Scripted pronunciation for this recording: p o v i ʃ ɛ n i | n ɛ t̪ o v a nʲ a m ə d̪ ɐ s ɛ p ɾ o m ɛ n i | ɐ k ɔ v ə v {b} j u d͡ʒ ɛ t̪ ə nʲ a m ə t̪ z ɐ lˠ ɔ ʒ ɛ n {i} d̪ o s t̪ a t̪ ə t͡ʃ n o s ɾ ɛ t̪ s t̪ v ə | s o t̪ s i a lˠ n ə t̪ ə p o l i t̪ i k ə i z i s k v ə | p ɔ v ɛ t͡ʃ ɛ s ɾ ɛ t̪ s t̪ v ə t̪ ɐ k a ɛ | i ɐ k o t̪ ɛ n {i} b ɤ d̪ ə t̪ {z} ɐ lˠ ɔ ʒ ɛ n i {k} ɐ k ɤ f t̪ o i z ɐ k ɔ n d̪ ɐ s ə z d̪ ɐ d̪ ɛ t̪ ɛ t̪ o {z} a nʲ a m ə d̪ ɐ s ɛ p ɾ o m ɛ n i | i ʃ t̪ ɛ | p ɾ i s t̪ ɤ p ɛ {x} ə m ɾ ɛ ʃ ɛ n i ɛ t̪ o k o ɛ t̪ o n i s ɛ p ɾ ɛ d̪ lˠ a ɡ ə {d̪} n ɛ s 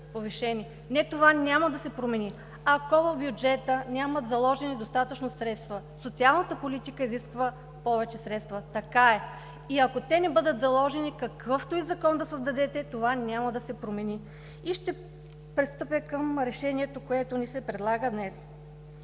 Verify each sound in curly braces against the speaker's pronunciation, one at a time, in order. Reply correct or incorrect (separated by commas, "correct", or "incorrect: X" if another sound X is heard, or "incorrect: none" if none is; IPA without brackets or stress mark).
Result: correct, correct, incorrect: ɛ, correct, correct, incorrect: v, incorrect: k, correct